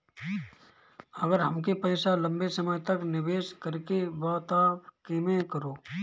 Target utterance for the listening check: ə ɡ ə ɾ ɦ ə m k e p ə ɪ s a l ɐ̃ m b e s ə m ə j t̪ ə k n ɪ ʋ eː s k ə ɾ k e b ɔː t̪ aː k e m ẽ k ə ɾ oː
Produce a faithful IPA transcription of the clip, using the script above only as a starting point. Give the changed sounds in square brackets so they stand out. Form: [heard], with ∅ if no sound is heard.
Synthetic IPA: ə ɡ ə ɾ ɦ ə m k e p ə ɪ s a l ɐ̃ m b e s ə m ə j t̪ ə k n ɪ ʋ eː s k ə ɾ k e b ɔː t̪ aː k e m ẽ k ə ɾ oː